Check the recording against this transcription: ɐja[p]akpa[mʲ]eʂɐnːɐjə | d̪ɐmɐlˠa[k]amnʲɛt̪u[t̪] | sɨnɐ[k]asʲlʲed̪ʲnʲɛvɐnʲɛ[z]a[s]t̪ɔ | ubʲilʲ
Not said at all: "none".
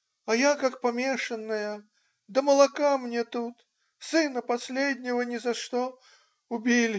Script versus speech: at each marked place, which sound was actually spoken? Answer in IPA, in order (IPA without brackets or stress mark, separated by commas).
k, mʲ, k, t̪, p, z, ʂ